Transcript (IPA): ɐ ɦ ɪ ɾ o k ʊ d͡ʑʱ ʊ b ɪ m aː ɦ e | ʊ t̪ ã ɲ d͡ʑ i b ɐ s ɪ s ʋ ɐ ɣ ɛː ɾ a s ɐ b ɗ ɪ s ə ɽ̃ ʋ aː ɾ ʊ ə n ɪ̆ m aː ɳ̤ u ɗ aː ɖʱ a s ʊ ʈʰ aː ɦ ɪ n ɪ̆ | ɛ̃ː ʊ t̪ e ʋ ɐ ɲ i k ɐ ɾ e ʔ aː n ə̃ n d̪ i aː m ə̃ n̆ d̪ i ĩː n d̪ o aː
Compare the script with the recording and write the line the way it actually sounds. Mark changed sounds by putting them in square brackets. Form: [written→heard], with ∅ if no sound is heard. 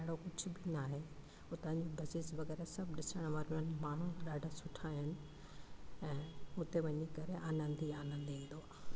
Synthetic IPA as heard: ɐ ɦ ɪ [ɾ→ɽ] o k ʊ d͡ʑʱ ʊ b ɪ [m→n] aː ɦ e | ʊ t̪ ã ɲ d͡ʑ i b ɐ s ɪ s ʋ ɐ ɣ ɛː ɾ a s ɐ b ɗ ɪ s ə ɽ̃ ʋ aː ɾ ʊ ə n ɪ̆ m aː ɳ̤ u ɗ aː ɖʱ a s ʊ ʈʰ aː ɦ ɪ n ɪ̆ | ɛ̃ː ʊ t̪ e ʋ ɐ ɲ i k ɐ ɾ e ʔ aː n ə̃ n d̪ i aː [m→n] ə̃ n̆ d̪ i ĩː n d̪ o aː

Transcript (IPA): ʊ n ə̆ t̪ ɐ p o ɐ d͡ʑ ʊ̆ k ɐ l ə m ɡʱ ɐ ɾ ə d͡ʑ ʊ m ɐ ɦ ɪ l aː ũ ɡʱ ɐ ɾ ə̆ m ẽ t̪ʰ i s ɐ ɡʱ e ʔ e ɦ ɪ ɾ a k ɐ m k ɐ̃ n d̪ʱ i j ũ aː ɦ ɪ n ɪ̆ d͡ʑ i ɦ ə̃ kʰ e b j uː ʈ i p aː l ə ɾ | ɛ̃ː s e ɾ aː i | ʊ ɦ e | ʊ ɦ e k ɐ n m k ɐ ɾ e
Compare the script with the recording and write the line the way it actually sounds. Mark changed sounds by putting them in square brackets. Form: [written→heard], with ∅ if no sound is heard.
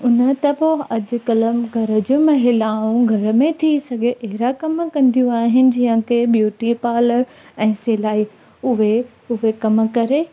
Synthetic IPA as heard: ʊ n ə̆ t̪ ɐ p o ɐ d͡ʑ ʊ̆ k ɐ l ə m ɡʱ ɐ ɾ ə d͡ʑ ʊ m ɐ ɦ ɪ l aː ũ ɡʱ ɐ ɾ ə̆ m ẽ t̪ʰ i s ɐ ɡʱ e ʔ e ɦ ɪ ɾ a k ɐ m k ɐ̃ n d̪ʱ i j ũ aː ɦ ɪ n ɪ̆ d͡ʑ i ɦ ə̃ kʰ e b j uː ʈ i p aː l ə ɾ | ɛ̃ː s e [ɾ→l] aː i | ʊ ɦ e | ʊ ɦ e k ɐ [n→∅] m k ɐ ɾ e

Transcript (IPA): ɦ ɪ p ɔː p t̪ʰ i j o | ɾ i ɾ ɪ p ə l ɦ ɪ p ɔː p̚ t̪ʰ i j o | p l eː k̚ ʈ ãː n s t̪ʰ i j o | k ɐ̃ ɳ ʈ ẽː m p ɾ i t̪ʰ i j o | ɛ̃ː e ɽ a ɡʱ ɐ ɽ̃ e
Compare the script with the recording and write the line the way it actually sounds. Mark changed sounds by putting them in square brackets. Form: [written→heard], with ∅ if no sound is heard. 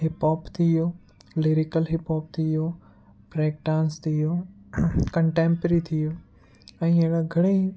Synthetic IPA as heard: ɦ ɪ p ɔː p t̪ʰ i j o | [ɾ→l] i ɾ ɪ [p→k] ə l ɦ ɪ p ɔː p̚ t̪ʰ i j o | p [l→ɾ] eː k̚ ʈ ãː n s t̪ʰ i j o | k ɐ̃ ɳ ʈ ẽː m p ɾ i t̪ʰ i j o | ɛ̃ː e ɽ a ɡʱ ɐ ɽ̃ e

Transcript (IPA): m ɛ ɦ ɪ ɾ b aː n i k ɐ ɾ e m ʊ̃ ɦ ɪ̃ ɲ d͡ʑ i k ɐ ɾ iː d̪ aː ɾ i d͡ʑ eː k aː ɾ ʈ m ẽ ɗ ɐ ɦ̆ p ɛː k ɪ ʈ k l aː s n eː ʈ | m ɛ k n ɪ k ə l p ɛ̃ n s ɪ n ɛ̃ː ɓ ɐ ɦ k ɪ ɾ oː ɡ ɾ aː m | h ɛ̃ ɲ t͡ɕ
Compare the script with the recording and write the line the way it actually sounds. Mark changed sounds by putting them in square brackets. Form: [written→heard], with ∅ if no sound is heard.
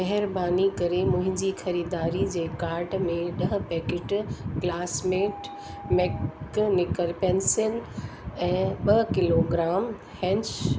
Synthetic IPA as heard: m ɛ ɦ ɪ ɾ b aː n i k ɐ ɾ e m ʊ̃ ɦ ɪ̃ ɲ d͡ʑ i [k→x] ɐ ɾ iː d̪ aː ɾ i d͡ʑ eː k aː ɾ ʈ m ẽ ɗ ɐ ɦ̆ p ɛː k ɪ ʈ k l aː s [n→m] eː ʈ | m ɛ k n ɪ k ə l p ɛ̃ n s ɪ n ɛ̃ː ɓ ɐ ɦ k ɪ [ɾ→l] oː ɡ ɾ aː m | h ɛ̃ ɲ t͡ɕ

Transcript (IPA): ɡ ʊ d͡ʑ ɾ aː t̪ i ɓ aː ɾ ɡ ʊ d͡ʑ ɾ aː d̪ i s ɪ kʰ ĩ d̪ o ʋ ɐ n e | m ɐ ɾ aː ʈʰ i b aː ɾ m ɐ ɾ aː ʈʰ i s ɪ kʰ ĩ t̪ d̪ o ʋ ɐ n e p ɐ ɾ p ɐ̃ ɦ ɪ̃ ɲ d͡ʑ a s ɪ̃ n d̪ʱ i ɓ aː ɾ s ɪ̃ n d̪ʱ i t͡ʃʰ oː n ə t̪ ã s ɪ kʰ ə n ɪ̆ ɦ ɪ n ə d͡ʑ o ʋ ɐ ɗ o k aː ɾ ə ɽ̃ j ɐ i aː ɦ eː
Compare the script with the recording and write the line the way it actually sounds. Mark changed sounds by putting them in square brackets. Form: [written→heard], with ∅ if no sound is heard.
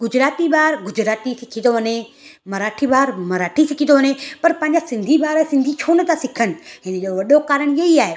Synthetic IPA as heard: ɡ ʊ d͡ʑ ɾ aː t̪ i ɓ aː ɾ ɡ ʊ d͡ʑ ɾ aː [d̪→t̪] i s ɪ kʰ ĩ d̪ o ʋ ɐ n e | m ɐ ɾ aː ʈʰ i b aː ɾ m ɐ ɾ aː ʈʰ i s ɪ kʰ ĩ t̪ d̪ o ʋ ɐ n e p ɐ ɾ p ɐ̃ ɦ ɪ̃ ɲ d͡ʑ a s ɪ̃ n d̪ʱ i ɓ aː ɾ s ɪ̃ n d̪ʱ i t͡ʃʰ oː n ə t̪ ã s ɪ kʰ ə n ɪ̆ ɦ ɪ n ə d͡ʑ o ʋ ɐ ɗ o k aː ɾ ə ɽ̃ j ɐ i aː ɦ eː

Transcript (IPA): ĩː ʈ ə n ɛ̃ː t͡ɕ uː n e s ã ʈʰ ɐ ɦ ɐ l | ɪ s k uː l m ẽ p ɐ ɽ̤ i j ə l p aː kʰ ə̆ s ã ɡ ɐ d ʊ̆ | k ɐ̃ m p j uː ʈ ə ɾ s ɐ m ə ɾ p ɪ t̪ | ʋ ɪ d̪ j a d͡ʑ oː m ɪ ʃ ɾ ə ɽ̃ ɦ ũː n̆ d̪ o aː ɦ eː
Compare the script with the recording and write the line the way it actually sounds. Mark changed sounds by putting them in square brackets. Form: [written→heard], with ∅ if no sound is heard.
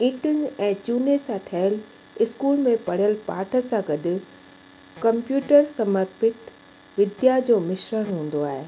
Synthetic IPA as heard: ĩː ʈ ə n ɛ̃ː t͡ɕ uː n e s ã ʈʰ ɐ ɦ [ɐ→ə] l | ɪ s k uː l m ẽ p ɐ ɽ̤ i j ə l p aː [kʰ→ʈʰ] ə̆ s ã ɡ ɐ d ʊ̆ | k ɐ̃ m p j uː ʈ ə ɾ s ɐ m ə ɾ p ɪ t̪ | ʋ ɪ d̪ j a d͡ʑ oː m ɪ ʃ ɾ ə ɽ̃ ɦ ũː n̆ d̪ o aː ɦ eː

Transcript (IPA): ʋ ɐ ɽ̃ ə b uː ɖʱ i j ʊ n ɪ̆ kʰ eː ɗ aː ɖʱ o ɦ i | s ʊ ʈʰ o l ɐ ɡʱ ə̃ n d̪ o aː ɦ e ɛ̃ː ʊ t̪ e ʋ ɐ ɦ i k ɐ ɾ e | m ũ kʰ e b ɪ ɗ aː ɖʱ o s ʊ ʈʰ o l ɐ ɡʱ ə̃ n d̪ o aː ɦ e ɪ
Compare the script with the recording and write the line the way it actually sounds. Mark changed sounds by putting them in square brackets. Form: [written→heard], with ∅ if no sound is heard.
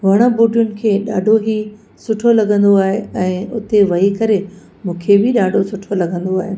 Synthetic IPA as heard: ʋ ɐ ɽ̃ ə b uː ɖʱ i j ʊ n ɪ̆ kʰ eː ɗ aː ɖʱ o ɦ i | s ʊ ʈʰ o l ɐ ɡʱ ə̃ n d̪ o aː ɦ e ɛ̃ː ʊ t̪ e ʋ ɐ ɦ i k ɐ ɾ e | m [ũ→ũː] kʰ e b ɪ ɗ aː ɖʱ o s ʊ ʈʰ o l ɐ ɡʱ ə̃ n d̪ o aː ɦ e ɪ

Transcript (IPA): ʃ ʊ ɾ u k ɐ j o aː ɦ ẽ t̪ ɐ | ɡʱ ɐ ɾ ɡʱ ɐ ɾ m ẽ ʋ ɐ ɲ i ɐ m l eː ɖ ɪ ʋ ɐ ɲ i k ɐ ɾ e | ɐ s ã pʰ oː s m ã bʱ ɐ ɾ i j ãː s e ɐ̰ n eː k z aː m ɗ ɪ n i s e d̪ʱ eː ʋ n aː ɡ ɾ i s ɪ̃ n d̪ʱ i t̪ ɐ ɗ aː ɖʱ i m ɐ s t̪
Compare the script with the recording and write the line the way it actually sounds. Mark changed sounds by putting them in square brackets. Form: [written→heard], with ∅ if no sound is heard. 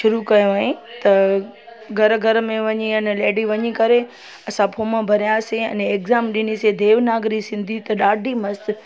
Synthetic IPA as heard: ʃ ʊ ɾ u k ɐ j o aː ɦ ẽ t̪ ɐ | ɡʱ ɐ ɾ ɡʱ ɐ ɾ m ẽ ʋ ɐ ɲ i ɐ [m→n] l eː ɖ [ɪ→i] ʋ ɐ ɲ i k ɐ ɾ e | ɐ s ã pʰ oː [s→∅] m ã bʱ ɐ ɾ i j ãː s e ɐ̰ n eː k z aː m ɗ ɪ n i s e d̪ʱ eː ʋ n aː ɡ ɾ i s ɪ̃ n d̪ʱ i t̪ ɐ ɗ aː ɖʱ i m ɐ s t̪

